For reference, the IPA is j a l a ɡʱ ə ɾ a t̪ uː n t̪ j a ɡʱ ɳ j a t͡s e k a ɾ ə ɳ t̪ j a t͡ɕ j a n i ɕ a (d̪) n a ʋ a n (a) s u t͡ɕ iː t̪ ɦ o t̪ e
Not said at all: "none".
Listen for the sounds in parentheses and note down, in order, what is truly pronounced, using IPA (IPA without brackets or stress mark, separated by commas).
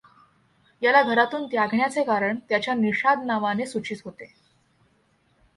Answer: d̪, e